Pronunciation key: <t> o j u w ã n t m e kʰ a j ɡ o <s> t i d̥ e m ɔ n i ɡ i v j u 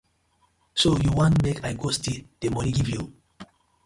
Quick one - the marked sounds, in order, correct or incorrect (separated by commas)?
incorrect, correct